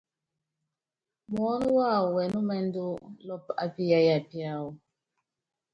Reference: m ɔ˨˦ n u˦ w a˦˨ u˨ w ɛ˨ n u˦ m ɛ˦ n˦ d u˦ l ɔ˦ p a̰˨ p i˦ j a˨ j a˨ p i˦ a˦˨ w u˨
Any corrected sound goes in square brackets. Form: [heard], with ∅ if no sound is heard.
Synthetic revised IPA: m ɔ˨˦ n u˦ w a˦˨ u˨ w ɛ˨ n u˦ m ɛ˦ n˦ d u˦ l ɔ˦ p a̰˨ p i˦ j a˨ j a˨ p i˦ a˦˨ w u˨